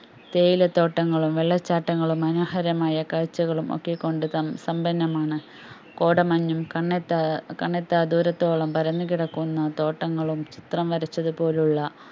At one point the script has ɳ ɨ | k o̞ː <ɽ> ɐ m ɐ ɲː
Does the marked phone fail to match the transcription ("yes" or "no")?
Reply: no